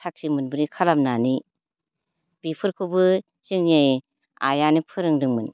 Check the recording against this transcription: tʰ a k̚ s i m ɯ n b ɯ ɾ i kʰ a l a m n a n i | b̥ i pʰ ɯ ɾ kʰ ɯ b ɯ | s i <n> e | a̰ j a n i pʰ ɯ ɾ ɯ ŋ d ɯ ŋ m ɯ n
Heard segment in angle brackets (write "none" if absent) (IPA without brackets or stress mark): ŋ